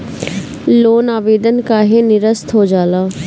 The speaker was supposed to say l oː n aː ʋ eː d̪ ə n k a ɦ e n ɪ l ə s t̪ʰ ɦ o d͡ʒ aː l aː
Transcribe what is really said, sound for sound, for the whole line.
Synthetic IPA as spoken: l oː n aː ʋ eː d̪ ə n k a ɦ e n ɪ ɾ ə s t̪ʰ ɦ o d͡ʒ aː l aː